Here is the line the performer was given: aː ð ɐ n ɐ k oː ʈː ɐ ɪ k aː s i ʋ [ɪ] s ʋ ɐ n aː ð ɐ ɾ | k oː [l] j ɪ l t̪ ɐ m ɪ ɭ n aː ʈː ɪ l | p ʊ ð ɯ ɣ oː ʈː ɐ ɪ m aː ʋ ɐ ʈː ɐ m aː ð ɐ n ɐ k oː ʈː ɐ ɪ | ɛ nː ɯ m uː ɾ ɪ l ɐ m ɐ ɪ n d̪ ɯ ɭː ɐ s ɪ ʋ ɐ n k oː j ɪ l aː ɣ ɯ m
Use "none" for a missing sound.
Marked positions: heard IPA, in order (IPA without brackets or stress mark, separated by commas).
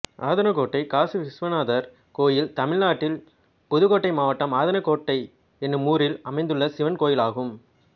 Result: ɪ, none